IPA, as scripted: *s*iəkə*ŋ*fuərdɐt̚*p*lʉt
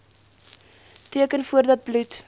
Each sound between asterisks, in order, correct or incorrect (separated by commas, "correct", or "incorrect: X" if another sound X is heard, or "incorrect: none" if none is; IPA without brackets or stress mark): incorrect: t, incorrect: n, incorrect: b